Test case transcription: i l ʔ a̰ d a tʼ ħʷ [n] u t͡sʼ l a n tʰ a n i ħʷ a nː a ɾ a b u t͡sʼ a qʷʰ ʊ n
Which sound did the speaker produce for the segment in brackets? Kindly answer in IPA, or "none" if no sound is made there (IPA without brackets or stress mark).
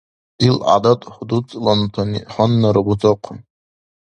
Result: d